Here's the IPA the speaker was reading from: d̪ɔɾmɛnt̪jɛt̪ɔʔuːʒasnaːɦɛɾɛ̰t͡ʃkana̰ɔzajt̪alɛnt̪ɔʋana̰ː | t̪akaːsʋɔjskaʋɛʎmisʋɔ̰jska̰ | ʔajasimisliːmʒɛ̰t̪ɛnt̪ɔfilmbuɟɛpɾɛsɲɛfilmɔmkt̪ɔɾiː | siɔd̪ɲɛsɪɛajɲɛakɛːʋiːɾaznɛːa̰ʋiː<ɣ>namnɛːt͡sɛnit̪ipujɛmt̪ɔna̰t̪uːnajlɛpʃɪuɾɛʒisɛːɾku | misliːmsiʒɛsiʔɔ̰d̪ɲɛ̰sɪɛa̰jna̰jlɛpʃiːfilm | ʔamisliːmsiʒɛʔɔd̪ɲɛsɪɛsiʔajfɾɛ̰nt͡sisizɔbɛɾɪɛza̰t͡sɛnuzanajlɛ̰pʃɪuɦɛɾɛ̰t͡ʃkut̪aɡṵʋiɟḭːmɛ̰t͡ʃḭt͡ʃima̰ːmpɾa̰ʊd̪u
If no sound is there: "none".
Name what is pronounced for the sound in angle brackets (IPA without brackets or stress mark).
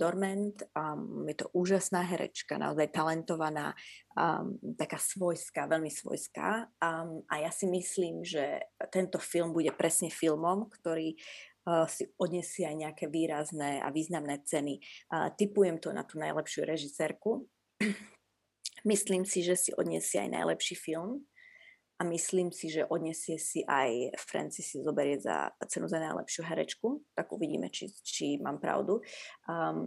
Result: z